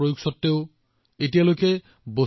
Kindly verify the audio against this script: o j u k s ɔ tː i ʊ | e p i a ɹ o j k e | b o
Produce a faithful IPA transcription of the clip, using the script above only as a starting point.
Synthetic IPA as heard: o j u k s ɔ tː e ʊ | e t i a l o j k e | b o

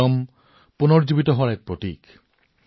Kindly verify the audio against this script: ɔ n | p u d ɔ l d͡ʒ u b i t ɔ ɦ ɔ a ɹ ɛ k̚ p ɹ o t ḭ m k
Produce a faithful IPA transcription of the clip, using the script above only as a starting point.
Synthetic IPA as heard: ɔ m | p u n ɔ ɹ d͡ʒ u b i t ɔ ɦ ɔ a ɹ ɛ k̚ p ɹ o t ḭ k

